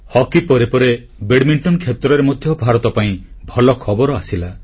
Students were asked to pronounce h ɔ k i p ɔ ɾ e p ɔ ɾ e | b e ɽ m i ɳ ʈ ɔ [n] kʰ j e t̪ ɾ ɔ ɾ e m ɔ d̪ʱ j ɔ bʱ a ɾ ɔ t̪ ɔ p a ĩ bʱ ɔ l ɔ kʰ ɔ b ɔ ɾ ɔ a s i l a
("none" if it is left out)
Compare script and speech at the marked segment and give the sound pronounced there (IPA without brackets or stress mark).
n